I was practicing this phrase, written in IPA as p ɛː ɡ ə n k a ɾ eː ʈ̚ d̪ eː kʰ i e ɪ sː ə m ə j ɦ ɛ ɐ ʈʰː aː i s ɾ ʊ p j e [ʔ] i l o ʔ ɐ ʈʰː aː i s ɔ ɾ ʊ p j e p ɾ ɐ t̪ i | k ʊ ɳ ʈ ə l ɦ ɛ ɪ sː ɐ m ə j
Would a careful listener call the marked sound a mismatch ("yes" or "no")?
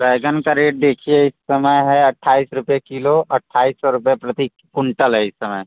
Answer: yes